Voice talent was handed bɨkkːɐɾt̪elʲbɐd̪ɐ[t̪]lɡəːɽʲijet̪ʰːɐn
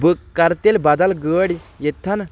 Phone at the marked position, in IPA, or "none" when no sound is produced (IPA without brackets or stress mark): none